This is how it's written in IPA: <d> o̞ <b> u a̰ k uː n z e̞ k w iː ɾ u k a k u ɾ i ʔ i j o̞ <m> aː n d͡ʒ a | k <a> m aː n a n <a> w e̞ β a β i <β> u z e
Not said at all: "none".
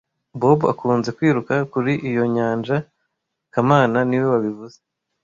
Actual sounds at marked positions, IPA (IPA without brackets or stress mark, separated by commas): b, b, ɲ, a, i, v